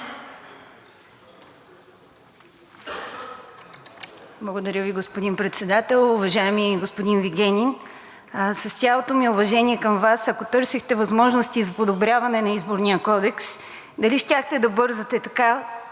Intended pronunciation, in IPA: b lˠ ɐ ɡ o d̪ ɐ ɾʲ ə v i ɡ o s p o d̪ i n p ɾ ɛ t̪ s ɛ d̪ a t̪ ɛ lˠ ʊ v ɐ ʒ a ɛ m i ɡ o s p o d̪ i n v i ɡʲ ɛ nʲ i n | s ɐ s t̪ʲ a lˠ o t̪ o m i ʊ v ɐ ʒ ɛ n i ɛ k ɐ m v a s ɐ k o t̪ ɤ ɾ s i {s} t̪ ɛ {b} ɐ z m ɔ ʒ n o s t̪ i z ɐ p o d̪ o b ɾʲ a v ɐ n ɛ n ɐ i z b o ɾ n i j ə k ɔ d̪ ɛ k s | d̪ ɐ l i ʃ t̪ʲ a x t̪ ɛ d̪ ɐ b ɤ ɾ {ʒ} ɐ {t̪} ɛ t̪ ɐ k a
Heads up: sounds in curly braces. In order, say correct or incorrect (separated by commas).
incorrect, incorrect, incorrect, correct